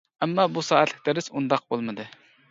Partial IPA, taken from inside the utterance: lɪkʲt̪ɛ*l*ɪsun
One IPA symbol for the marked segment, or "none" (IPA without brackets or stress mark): ɾ